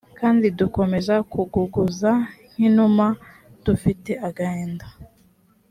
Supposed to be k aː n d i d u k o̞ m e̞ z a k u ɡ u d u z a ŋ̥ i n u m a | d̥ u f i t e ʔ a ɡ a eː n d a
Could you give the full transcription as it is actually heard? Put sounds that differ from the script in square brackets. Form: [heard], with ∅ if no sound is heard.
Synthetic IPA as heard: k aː n d i d u k o̞ m e̞ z a k u ɡ u [ɡ] u z a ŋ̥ i n u m a | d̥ u f i t e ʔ a ɡ a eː n d a